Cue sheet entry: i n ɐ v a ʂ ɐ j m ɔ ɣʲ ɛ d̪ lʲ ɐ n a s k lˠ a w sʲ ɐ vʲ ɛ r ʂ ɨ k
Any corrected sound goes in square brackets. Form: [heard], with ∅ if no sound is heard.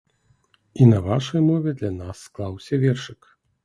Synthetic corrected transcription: i n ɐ v a ʂ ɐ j m ɔ [vʲ] ɛ d̪ lʲ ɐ n a [sː] k lˠ a w sʲ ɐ vʲ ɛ r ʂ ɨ k